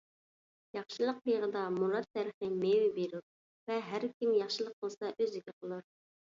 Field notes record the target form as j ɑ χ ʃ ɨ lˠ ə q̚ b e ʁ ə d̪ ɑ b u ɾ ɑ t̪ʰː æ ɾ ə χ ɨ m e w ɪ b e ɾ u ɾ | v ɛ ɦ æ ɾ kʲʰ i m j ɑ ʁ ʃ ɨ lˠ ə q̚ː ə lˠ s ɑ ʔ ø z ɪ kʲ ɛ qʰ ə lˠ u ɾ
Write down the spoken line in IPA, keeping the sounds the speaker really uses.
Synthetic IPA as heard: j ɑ χ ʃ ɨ lˠ ə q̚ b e ʁ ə d̪ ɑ m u ɾ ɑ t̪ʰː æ ɾ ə χ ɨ m e w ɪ b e ɾ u ɾ | v ɛ ɦ æ ɾ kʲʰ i m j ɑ χ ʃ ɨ lˠ ə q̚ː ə lˠ s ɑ ʔ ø z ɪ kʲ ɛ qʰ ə lˠ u ɾ